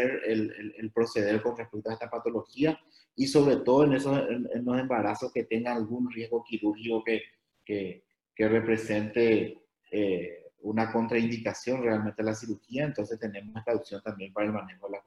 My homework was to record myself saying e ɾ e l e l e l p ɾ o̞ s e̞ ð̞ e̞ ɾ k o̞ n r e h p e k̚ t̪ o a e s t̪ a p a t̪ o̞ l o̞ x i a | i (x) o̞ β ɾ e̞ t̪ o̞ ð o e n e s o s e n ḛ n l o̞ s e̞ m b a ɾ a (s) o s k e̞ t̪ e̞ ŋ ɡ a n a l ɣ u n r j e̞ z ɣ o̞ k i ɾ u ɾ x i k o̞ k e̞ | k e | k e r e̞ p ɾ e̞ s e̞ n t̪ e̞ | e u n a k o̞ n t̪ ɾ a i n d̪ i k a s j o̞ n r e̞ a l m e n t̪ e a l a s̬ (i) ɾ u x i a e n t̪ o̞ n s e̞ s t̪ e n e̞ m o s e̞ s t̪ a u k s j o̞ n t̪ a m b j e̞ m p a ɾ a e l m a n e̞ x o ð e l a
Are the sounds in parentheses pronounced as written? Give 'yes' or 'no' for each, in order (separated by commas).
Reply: no, yes, yes